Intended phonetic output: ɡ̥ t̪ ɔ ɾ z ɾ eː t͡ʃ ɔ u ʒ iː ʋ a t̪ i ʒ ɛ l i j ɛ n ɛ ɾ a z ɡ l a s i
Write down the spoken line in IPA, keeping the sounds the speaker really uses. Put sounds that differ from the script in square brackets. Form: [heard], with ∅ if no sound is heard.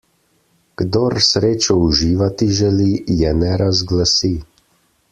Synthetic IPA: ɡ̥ [d̪] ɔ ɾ [s] ɾ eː t͡ʃ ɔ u ʒ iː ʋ a t̪ i ʒ ɛ l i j ɛ n ɛ ɾ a z ɡ l a s i